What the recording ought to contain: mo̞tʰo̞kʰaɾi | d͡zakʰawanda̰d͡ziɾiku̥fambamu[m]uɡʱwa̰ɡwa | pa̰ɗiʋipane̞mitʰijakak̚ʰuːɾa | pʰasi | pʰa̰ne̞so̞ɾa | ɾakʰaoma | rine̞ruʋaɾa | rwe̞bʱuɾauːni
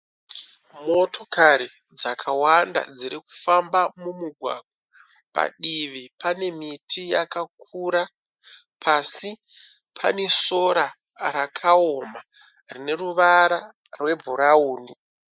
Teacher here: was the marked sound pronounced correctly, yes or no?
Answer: yes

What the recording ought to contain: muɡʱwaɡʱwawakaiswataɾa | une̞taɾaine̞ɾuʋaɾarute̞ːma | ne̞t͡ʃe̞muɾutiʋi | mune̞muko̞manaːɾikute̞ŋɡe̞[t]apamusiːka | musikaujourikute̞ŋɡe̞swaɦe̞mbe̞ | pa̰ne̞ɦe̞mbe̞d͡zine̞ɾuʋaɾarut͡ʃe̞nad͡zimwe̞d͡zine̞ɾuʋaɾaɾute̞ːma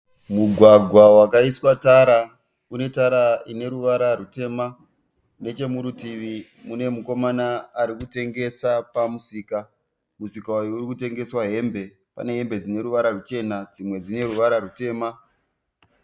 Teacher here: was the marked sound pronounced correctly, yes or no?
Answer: no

